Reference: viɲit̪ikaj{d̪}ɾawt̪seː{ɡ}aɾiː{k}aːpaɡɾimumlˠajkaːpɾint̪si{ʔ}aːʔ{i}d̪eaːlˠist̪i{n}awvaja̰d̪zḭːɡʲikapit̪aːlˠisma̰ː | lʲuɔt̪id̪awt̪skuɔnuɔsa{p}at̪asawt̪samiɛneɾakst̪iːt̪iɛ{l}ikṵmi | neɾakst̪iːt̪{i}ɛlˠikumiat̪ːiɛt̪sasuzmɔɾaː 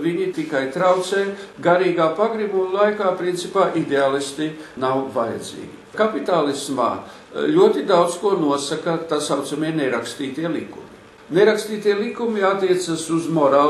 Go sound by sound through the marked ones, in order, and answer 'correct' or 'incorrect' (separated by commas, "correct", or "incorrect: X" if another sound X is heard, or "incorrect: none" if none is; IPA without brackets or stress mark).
incorrect: t̪, correct, incorrect: ɡ, incorrect: p, correct, correct, incorrect: k, correct, correct